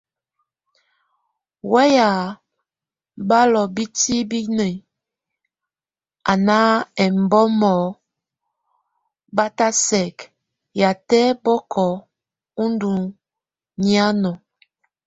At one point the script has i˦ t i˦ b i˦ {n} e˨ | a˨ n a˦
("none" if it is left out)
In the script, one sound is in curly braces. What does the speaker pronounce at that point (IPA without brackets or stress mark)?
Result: n